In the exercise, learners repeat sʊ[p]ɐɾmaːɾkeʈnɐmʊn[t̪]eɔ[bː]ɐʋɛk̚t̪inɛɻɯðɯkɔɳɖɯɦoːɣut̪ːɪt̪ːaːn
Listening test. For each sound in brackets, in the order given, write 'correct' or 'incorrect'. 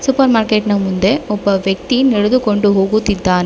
correct, incorrect: d̪, incorrect: pː

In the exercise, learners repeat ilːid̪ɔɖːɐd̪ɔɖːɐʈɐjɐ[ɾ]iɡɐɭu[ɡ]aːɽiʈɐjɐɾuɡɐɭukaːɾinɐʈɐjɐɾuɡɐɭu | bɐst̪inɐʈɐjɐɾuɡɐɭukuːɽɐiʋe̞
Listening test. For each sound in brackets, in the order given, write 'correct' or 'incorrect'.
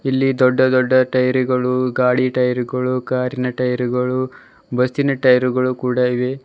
correct, correct

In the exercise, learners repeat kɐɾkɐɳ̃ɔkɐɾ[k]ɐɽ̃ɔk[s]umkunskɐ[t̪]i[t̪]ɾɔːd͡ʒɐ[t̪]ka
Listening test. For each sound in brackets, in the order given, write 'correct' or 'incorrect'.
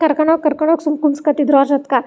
correct, correct, correct, incorrect: d̪, correct

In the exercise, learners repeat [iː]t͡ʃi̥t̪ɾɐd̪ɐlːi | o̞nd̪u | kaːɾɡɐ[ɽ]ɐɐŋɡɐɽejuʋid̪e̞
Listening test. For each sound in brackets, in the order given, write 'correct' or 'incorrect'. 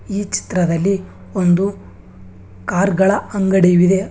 correct, incorrect: ɭ

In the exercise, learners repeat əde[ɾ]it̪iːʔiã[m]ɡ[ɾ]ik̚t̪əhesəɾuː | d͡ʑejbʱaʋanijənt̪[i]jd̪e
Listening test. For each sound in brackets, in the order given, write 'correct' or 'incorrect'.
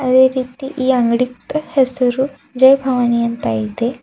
correct, incorrect: ŋ, incorrect: ɽ, incorrect: a

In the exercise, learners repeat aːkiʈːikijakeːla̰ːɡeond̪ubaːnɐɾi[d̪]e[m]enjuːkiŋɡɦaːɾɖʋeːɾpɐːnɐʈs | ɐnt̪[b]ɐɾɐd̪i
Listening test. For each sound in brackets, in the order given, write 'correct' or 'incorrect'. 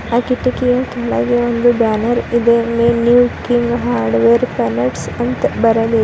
correct, correct, correct

